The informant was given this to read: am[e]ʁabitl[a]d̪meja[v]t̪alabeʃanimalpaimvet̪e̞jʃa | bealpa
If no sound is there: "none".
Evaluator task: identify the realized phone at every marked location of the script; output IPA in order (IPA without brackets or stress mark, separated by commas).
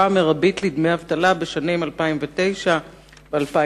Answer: e, i, v